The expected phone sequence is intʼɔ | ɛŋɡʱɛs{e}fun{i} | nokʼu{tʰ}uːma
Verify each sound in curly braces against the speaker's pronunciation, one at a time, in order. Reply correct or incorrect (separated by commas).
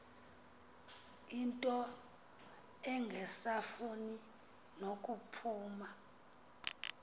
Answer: incorrect, correct, incorrect